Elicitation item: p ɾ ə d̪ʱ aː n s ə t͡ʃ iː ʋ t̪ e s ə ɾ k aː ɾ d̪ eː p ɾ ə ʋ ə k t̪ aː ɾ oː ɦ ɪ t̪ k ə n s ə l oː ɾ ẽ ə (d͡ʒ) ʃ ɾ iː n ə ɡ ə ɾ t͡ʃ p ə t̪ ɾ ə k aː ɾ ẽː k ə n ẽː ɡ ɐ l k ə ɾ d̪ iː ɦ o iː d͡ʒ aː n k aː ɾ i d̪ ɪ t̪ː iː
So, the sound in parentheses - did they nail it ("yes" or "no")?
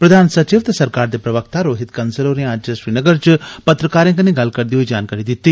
yes